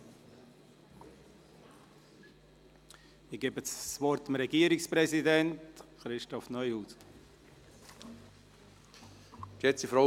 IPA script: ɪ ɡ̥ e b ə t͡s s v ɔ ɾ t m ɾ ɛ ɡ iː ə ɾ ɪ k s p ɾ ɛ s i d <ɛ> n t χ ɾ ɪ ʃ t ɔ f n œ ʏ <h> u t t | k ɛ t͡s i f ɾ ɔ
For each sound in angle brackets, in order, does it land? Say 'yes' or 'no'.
yes, yes

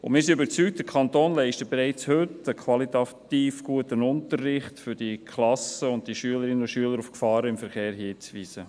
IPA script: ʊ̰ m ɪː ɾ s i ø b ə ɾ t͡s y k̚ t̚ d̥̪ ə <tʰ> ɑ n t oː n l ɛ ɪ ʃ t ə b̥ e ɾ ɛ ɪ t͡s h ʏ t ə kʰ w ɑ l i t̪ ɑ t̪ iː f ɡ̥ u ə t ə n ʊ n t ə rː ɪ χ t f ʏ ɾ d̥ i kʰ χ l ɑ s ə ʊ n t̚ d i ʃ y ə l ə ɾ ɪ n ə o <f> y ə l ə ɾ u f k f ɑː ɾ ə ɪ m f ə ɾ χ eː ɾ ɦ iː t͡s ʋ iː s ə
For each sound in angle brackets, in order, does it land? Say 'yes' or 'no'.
no, no

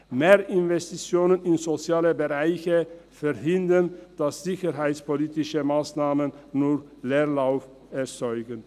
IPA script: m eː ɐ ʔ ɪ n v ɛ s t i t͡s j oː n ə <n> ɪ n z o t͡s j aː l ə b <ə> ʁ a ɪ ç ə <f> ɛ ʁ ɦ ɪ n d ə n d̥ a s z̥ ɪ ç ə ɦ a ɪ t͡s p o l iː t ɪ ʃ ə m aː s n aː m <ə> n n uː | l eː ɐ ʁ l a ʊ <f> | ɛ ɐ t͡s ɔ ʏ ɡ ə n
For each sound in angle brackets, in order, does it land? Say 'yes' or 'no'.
yes, yes, yes, yes, yes

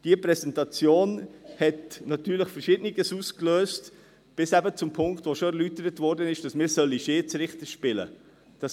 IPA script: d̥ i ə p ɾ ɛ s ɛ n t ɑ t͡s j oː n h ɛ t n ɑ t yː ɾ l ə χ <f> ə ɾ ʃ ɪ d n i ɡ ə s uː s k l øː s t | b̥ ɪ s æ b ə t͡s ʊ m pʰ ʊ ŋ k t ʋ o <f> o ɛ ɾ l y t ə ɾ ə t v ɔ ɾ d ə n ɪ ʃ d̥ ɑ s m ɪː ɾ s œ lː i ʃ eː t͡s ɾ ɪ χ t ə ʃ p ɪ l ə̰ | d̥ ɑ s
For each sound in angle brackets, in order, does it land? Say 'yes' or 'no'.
yes, no

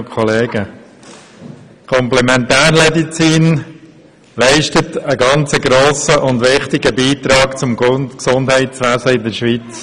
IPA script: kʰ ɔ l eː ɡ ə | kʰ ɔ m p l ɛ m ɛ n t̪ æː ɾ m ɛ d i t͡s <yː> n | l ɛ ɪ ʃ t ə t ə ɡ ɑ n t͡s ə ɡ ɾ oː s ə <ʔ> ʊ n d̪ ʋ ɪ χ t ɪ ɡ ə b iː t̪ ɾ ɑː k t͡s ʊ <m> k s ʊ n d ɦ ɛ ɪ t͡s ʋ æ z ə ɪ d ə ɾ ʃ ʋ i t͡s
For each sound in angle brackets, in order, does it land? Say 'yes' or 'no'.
no, yes, yes

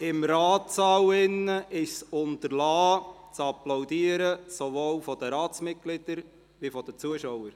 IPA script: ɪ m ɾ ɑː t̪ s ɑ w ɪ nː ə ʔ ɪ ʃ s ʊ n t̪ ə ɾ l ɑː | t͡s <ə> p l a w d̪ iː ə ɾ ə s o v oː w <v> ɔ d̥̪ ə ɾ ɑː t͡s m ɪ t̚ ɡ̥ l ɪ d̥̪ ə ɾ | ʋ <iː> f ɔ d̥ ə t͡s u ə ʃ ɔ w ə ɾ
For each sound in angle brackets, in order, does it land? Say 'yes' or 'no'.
no, no, no

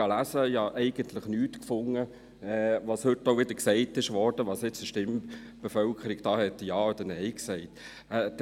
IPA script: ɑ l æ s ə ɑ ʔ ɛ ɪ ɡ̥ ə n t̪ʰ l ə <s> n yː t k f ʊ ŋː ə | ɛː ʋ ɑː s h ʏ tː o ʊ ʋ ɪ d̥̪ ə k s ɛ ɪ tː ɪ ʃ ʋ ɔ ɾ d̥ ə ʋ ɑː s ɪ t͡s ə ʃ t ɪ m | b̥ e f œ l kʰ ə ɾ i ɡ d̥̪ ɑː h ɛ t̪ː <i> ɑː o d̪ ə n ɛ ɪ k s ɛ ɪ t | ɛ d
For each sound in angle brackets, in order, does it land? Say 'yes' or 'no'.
no, no

